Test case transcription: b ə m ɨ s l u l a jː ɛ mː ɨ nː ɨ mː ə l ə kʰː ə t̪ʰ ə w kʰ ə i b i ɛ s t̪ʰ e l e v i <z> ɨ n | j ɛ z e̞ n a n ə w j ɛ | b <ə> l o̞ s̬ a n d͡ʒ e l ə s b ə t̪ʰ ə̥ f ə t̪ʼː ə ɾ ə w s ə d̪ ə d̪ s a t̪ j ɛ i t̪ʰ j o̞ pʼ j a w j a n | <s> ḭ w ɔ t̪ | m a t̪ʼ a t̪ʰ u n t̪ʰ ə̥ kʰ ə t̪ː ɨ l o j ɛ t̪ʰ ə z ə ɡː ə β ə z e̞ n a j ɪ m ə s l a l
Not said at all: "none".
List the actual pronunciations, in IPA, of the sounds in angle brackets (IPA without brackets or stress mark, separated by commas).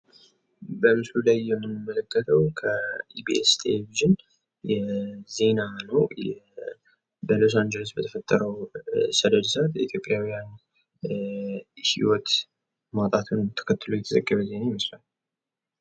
ʒ, ə, h